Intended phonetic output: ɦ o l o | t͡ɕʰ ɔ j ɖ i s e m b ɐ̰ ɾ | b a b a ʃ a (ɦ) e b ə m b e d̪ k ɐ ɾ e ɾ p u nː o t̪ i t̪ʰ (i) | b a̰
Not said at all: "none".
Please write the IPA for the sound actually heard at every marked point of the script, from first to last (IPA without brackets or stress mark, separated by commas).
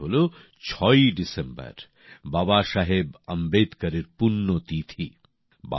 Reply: ɦ, i